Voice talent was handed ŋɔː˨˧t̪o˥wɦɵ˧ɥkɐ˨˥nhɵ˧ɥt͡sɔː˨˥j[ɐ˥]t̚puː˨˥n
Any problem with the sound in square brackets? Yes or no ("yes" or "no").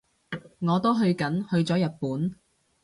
yes